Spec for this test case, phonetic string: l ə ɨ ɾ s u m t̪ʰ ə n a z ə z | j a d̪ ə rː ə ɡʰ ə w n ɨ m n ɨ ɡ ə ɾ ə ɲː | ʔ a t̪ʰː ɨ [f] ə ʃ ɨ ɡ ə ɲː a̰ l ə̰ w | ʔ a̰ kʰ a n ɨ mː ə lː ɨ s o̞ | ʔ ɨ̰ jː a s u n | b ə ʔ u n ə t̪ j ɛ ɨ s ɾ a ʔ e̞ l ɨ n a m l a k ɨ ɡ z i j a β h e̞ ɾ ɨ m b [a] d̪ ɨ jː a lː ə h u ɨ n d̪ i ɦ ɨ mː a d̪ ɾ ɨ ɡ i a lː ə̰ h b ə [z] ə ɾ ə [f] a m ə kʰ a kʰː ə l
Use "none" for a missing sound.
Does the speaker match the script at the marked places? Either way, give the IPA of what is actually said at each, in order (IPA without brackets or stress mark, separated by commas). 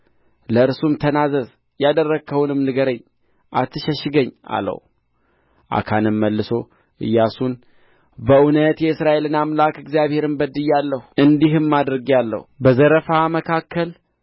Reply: ʃ, ə, z, f